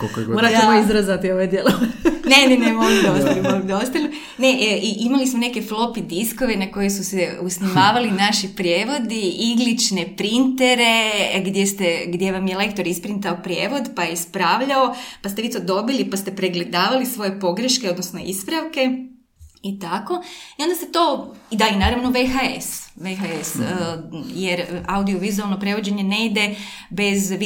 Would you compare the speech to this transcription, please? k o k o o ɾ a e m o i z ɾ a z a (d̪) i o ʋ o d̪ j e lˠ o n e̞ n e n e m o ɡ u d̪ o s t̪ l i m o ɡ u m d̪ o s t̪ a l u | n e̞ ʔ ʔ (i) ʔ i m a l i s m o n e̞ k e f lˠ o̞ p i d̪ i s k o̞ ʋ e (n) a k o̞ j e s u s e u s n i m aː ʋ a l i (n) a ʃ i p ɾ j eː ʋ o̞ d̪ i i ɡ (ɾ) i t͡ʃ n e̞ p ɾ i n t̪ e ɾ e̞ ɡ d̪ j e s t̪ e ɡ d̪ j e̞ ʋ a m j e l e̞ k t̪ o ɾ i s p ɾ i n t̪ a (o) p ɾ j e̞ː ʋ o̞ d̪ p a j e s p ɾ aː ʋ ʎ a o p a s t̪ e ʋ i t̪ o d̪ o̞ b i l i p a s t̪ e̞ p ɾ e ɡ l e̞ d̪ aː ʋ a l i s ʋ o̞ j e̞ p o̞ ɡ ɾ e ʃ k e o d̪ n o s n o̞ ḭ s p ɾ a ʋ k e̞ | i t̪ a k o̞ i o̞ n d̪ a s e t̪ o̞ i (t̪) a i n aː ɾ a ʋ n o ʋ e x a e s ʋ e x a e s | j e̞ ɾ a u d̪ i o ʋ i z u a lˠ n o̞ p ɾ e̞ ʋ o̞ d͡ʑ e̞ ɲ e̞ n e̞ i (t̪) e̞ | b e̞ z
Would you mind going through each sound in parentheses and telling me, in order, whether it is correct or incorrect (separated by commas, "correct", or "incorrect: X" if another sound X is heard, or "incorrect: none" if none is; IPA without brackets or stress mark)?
incorrect: t̪, correct, correct, correct, incorrect: l, correct, incorrect: d̪, incorrect: d̪